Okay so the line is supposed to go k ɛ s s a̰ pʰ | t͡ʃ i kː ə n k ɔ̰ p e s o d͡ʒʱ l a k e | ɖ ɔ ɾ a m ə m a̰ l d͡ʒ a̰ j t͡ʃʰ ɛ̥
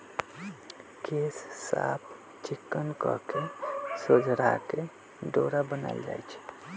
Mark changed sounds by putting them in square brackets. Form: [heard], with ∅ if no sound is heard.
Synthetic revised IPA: k [e] s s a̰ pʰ | t͡ʃ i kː ə n k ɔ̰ [k] e s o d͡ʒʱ [ɾ] a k e | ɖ [o] ɾ a [b] ə [n] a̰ l d͡ʒ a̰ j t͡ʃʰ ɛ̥